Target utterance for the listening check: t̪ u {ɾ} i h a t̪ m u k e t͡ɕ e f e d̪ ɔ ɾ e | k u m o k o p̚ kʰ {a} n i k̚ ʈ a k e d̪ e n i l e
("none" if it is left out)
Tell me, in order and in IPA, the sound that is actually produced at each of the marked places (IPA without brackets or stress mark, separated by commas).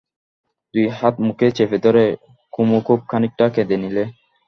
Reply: none, a